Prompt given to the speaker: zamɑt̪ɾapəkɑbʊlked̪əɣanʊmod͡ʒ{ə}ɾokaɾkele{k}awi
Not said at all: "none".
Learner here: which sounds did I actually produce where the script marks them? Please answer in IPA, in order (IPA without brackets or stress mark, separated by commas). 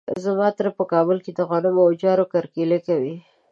ɑ, k